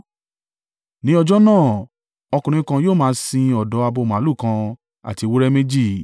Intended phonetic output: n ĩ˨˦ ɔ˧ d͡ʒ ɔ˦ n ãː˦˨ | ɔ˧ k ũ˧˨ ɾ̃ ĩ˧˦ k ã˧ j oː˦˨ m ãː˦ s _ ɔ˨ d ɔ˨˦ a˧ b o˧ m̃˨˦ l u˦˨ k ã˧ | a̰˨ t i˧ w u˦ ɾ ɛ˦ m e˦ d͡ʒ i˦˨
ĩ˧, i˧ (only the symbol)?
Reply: ĩ˧